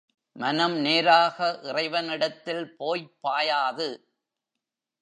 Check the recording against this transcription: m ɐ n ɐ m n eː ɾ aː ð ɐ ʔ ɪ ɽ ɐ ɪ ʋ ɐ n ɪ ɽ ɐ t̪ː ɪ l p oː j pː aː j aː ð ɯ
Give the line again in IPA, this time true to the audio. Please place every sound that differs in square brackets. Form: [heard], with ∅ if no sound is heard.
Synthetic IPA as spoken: m ɐ n ɐ m n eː ɾ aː [ɣ] ɐ ʔ ɪ [r] ɐ ɪ ʋ ɐ n ɪ ɽ ɐ t̪ː ɪ l p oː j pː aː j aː ð ɯ